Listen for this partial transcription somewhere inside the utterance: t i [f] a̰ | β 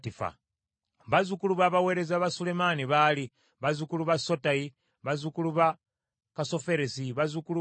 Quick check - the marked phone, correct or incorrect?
correct